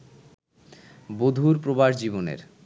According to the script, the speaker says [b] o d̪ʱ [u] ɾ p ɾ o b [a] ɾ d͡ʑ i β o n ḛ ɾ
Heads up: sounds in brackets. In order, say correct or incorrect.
correct, correct, correct

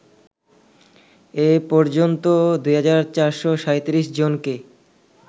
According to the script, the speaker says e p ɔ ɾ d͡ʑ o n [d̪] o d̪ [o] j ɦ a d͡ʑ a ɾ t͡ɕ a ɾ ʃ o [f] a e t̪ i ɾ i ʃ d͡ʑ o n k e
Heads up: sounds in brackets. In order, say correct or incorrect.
incorrect: t̪, incorrect: u, incorrect: ʃ

